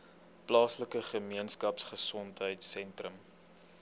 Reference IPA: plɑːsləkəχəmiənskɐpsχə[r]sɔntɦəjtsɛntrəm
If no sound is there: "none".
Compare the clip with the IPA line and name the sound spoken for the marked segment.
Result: none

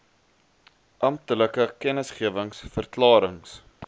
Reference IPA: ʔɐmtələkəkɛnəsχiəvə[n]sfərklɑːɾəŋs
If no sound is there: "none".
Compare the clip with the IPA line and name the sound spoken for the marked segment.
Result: ŋ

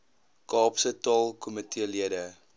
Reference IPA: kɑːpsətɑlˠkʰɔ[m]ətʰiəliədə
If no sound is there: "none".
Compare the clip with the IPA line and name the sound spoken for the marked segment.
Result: m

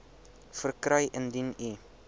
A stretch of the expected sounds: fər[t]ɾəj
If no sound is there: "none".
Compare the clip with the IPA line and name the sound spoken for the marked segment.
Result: k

